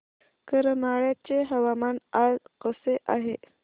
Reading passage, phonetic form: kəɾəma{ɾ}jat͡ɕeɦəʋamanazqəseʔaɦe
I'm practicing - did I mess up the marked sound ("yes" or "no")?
yes